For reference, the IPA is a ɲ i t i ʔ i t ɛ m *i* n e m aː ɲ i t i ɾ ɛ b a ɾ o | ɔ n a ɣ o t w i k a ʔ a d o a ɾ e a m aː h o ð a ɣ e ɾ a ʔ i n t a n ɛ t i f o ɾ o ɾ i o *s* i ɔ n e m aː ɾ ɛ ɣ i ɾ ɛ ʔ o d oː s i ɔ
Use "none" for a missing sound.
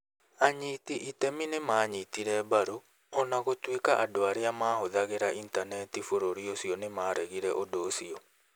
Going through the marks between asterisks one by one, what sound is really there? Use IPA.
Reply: i, s

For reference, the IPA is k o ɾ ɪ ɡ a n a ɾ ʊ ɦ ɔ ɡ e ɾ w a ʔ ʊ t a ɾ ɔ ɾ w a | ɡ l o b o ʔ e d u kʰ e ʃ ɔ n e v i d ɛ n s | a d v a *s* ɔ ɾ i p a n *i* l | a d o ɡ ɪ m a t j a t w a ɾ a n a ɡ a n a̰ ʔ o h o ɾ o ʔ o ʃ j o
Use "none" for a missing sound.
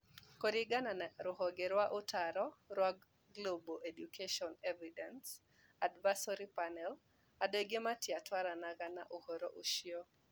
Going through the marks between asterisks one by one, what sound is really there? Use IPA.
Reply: s, ɛ

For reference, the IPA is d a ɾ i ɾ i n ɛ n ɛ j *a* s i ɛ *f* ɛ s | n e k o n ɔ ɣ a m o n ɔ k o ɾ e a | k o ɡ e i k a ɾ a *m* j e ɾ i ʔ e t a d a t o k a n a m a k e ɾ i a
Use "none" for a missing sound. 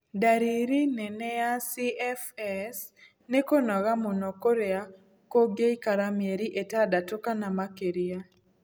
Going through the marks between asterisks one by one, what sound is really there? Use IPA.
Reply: a, f, m

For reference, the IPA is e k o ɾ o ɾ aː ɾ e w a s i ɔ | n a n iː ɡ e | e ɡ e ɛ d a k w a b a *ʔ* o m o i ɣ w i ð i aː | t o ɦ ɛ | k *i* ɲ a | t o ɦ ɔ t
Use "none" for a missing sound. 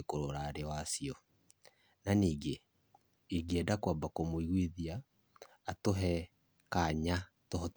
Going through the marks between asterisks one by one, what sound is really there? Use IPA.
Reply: k, a

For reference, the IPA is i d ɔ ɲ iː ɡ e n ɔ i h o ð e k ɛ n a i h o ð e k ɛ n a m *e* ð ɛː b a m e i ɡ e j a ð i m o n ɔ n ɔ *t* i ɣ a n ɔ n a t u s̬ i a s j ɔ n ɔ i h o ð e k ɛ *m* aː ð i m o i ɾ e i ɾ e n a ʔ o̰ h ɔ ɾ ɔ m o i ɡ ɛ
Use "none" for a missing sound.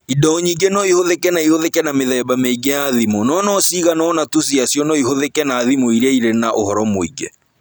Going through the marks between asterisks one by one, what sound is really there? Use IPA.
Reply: e, s, n

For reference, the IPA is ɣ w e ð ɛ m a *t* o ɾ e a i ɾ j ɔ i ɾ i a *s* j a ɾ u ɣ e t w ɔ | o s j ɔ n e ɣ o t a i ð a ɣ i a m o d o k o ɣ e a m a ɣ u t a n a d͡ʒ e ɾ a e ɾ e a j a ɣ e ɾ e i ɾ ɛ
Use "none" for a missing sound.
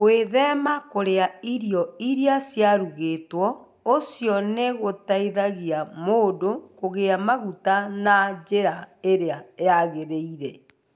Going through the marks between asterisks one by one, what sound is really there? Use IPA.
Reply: k, s

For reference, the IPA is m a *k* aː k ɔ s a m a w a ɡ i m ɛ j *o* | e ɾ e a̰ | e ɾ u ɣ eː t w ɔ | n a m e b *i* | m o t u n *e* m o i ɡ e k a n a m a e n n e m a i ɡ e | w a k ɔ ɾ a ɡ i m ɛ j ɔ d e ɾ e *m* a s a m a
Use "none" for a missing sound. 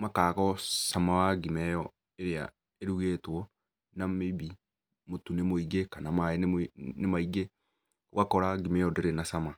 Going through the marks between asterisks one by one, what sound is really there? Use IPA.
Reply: k, ɔ, i, e, n

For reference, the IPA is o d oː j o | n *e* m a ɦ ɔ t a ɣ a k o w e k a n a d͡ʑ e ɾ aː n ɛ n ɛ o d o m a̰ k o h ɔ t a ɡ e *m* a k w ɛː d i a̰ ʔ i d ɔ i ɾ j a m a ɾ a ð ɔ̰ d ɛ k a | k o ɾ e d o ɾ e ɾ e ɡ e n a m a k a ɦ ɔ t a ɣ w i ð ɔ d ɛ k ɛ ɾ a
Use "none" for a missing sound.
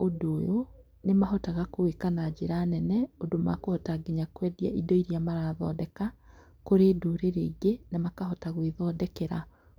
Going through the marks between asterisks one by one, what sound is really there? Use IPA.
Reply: e, ɲ

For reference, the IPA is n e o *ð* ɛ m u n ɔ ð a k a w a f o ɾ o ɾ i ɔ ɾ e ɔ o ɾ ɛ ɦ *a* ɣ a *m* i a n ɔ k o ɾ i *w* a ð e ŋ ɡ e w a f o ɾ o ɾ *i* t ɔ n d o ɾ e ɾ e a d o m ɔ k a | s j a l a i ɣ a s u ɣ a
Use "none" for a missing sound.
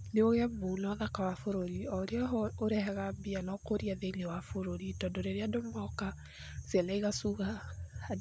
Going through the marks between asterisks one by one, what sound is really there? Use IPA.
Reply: ɣ, ɛ, b, none, i

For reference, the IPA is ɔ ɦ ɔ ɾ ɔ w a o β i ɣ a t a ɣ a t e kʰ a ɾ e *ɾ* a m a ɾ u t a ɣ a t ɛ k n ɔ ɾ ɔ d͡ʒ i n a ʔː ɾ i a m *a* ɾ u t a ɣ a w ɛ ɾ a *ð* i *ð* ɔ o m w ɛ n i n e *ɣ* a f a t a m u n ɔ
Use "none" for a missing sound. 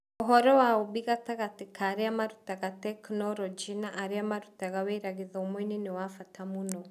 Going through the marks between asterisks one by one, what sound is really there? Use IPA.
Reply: none, a, ɣ, ð, w

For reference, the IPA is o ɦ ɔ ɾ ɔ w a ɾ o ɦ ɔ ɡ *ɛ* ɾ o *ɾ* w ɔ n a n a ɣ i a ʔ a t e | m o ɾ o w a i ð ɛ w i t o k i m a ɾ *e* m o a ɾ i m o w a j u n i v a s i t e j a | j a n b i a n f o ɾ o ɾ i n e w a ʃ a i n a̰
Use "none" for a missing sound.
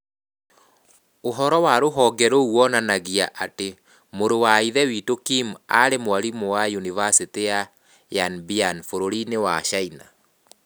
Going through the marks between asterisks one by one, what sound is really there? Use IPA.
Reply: ɛ, none, e

